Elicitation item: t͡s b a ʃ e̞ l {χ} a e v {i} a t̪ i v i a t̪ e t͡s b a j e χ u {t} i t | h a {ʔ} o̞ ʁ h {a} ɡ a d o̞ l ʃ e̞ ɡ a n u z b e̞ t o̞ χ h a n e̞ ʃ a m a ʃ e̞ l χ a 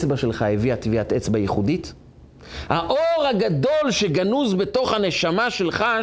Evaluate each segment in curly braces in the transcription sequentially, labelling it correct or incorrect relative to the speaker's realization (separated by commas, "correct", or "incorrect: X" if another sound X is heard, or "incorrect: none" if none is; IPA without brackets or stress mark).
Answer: correct, correct, incorrect: d, correct, correct